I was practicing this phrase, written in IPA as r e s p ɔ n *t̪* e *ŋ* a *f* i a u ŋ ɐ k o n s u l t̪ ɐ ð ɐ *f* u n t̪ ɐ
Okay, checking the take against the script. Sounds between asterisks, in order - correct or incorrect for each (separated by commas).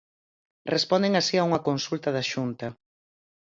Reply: incorrect, correct, incorrect, incorrect